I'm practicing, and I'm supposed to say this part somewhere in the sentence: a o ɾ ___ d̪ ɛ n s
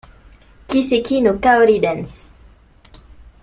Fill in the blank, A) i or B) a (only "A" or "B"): A